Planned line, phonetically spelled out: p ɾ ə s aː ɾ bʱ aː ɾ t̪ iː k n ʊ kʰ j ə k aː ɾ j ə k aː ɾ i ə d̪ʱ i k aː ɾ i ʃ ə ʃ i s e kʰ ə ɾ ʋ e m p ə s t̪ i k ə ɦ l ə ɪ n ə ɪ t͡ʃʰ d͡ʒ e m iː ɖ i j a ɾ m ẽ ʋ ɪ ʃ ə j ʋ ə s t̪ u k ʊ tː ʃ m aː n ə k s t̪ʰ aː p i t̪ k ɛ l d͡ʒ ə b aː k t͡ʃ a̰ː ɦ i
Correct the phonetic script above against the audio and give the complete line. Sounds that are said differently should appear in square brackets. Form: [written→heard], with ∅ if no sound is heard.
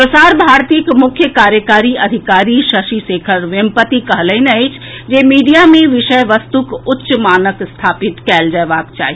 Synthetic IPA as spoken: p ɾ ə s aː ɾ bʱ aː ɾ t̪ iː k [n→m] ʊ kʰ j ə k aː ɾ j ə k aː ɾ i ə d̪ʱ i k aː ɾ i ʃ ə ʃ i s e kʰ ə ɾ ʋ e m p ə [s→∅] t̪ i k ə ɦ l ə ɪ n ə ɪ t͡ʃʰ d͡ʒ e m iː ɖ i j a [ɾ→∅] m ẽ ʋ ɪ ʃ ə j ʋ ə s t̪ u k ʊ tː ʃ m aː n ə k s t̪ʰ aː p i t̪ k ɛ l d͡ʒ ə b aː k t͡ʃ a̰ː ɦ i